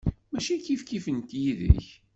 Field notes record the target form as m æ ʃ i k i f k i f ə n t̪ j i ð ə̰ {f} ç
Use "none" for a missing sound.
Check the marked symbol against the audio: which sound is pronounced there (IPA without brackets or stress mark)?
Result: none